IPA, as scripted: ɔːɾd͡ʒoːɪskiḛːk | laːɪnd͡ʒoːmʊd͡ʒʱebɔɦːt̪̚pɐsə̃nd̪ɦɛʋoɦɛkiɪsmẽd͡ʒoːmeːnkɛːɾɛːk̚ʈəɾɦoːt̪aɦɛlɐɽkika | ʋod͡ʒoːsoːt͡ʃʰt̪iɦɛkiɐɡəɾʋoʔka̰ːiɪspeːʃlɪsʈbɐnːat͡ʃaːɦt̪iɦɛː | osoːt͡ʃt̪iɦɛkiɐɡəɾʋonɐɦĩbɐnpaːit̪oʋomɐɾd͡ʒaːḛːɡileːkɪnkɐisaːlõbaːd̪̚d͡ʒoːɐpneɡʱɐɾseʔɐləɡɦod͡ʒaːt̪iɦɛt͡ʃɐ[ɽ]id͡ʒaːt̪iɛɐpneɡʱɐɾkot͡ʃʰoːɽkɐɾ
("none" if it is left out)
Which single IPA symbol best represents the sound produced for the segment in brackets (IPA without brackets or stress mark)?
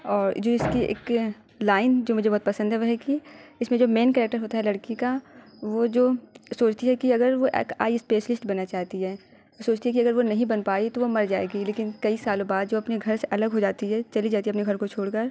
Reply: l